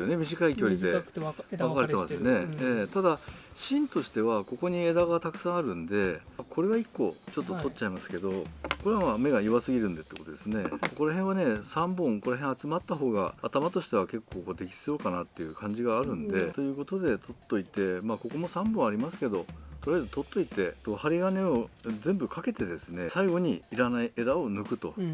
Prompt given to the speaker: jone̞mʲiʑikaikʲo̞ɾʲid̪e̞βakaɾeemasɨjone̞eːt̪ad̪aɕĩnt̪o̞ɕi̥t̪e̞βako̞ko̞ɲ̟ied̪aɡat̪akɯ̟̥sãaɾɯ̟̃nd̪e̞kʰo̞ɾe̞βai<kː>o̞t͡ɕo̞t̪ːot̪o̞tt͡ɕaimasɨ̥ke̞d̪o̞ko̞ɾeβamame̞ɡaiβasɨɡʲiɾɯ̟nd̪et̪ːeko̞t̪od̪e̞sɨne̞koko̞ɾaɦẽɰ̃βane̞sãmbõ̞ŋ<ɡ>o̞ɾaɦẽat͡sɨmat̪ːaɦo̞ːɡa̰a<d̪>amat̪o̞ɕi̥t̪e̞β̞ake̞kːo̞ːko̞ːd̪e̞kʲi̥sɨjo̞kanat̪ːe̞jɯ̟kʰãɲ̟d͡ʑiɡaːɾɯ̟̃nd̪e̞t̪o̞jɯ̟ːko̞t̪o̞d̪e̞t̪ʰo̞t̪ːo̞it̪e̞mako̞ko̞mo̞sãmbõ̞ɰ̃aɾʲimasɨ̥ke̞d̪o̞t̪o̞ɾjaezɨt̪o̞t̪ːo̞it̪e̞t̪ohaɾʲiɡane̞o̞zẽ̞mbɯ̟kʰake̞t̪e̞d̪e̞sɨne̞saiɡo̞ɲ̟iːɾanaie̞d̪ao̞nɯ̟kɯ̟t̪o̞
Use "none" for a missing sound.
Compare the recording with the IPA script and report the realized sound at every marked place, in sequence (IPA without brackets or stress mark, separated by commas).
kː, k, t̪